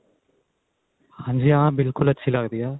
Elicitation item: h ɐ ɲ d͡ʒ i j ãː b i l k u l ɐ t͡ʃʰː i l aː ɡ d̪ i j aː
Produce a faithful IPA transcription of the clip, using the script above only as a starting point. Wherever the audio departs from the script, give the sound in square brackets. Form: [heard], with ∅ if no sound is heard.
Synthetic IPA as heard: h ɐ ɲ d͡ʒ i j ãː b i l k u l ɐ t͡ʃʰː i l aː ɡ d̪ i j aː